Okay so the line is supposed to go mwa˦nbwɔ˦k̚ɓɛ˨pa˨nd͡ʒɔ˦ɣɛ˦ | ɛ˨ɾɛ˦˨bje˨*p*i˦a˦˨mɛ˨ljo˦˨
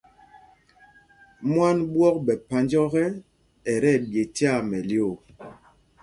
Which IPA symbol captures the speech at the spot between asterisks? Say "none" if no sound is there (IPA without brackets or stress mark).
t